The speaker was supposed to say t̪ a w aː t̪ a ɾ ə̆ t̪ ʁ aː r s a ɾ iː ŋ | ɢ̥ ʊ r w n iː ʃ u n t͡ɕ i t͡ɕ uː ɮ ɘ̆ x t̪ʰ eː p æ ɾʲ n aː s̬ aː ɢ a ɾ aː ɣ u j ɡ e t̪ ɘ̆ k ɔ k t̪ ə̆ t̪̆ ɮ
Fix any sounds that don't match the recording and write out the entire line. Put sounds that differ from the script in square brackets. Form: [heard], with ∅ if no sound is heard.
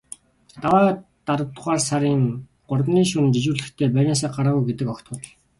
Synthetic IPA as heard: t̪ a w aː t̪ a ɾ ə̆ t̪ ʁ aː r s a ɾ iː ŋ | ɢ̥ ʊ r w n iː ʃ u n t͡ɕ i t͡ɕ uː ɮ ɘ̆ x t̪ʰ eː p æ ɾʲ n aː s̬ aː ɢ a ɾ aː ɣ u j ɡ e t̪ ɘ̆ k ɔ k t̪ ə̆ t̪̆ ɮ

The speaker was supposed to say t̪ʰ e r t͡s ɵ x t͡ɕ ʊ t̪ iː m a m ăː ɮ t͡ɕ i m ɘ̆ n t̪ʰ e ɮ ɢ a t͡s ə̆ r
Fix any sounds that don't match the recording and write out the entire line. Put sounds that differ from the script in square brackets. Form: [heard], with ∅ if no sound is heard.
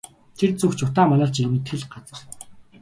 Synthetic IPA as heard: t̪ʰ e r t͡s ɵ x t͡ɕ ʊ t̪ [aː] m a [n] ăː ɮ t͡ɕ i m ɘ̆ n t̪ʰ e ɮ ɢ a t͡s ə̆ r

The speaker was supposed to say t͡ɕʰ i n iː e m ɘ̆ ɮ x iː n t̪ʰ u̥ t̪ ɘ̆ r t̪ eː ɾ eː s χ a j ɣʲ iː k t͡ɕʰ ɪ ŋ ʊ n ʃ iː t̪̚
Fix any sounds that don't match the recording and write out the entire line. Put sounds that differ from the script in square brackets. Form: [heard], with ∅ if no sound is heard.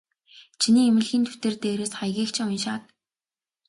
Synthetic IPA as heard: t͡ɕʰ i n iː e m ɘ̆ ɮ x iː n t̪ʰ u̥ t̪ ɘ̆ r t̪ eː ɾ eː s χ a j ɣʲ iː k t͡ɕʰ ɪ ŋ ʊ n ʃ [aː] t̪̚

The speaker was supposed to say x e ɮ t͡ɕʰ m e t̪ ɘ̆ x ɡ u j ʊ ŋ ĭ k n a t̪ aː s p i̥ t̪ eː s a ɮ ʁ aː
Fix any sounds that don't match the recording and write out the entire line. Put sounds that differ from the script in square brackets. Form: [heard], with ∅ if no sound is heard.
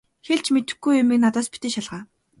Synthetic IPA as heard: x e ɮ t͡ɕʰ m e t̪ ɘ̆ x ɡ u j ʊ [m] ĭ k n a t̪ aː s p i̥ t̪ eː [ʃ] a ɮ ʁ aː

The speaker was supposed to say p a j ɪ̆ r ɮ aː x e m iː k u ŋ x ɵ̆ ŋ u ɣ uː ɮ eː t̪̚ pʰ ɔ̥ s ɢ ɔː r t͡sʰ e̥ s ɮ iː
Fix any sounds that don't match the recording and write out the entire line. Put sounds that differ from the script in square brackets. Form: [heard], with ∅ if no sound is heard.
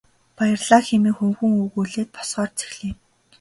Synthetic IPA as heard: p a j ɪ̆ r ɮ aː x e m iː [x] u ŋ x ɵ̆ ŋ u ɣ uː ɮ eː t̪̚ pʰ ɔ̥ s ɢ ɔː r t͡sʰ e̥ [x] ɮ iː

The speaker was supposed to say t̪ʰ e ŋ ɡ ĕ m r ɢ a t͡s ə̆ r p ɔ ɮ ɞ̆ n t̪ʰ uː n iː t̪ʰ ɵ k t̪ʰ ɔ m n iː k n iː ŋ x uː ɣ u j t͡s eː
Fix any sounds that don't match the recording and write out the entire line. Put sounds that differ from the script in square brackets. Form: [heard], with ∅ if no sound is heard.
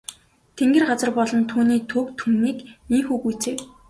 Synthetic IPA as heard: t̪ʰ e ŋ ɡ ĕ [∅] r ɢ a t͡s ə̆ r p ɔ ɮ ɞ̆ n t̪ʰ uː n iː t̪ʰ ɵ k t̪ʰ [u] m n iː k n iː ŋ x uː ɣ u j t͡s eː

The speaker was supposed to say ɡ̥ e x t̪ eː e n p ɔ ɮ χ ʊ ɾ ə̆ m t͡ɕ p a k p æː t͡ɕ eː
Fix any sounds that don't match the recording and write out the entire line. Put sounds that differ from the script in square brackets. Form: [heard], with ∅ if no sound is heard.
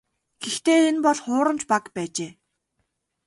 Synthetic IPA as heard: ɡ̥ e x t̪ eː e n p ɔ ɮ χ [ʊː] ɾ ə̆ m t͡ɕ p a k p æː t͡ɕ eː

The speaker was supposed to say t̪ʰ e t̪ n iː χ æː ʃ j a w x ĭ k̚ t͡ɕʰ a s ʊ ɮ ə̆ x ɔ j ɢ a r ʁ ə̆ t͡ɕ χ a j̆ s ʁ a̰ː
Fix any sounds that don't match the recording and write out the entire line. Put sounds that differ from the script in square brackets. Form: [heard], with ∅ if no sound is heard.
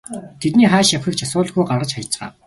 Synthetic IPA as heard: t̪ʰ e t̪ n iː χ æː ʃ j a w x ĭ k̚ t͡ɕʰ a s [ʊː] ɮ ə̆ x [u] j ɢ a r ʁ ə̆ t͡ɕ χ a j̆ [t͡s] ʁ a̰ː

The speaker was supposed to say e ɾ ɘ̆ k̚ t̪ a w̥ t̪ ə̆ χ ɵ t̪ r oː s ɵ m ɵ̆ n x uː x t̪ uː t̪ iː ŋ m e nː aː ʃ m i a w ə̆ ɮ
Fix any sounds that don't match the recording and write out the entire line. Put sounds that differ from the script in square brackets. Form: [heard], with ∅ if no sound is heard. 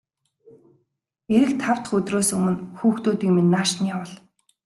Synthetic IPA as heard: e ɾ ɘ̆ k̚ [t̪ʰ] a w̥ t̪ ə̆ χ ɵ t̪ r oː s ɵ m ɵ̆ n x uː x t̪ uː t̪ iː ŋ m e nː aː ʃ [n] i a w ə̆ ɮ

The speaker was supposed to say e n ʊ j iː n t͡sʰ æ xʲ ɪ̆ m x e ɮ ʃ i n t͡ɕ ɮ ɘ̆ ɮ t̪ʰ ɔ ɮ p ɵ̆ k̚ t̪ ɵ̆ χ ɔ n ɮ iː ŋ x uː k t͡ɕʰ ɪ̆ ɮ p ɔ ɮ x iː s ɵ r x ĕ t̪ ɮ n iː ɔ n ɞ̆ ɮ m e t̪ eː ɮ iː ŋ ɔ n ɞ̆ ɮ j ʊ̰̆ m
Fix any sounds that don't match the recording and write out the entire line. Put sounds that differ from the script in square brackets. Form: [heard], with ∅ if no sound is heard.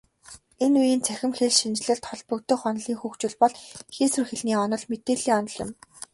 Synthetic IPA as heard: e n [u] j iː n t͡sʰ æ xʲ ɪ̆ m x e ɮ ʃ i n t͡ɕ ɮ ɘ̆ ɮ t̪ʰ ɔ ɮ p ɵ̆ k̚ t̪ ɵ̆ χ ɔ n ɮ iː ŋ x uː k [t͡ɕ] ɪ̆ ɮ p ɔ ɮ x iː s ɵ r x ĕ [∅] ɮ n iː ɔ n ɞ̆ ɮ m e t̪ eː ɮ iː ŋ ɔ n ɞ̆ ɮ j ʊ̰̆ m

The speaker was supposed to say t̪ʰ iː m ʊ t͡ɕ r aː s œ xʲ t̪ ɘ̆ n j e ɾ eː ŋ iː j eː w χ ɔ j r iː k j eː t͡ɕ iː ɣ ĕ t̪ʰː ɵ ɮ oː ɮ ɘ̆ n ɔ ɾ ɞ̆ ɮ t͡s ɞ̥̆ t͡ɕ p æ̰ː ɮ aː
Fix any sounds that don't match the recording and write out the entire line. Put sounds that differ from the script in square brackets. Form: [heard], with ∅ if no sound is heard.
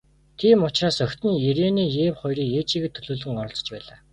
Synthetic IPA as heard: t̪ʰ iː m ʊ t͡ɕ r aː s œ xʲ t̪ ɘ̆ n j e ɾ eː [n] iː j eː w χ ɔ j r iː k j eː t͡ɕ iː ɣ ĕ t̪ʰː ɵ ɮ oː ɮ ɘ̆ [ŋ] ɔ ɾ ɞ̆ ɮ t͡s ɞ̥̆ t͡ɕ p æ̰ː ɮ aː

